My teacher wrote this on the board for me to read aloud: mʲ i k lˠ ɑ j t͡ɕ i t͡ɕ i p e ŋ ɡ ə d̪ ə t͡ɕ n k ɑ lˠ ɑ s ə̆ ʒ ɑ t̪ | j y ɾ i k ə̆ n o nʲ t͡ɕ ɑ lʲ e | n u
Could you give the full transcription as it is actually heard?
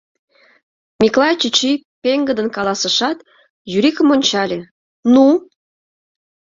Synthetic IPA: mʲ i k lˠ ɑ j t͡ɕ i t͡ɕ i p e ŋ ɡ ə d̪ ə n k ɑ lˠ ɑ s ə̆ ʃ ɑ t̪ | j y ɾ i k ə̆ m o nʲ t͡ɕ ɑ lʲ e | n u